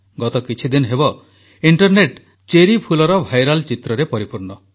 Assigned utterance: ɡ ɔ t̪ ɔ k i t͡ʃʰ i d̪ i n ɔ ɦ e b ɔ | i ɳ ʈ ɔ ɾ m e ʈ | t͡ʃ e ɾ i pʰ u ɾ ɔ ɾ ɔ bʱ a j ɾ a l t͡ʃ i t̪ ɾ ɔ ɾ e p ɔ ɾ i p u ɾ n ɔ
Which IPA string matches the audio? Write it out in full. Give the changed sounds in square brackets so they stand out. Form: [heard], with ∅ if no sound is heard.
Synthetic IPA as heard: ɡ ɔ t̪ ɔ k i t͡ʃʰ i d̪ i n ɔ ɦ e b ɔ | i ɳ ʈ ɔ ɾ [n] e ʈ | t͡ʃ e ɾ i pʰ u [l] ɔ ɾ ɔ bʱ a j ɾ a l t͡ʃ i t̪ ɾ ɔ ɾ e p ɔ ɾ i p u ɾ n ɔ